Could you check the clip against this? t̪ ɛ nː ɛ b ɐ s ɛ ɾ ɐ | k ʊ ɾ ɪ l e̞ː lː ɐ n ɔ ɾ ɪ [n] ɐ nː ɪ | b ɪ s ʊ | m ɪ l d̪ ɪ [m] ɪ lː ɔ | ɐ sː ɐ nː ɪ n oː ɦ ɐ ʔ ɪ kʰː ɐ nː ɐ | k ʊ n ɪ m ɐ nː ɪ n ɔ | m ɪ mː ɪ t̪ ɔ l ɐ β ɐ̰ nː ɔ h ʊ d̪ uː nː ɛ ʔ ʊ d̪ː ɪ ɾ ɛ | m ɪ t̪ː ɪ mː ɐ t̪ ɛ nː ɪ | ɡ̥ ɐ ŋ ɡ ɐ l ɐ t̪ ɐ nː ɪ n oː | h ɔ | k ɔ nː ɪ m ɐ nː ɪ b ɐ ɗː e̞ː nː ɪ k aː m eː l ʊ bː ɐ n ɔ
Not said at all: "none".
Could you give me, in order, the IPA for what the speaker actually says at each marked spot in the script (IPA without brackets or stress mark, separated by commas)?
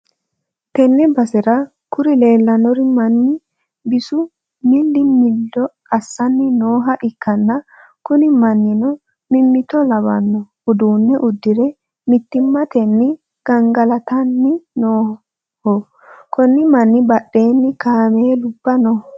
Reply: m, m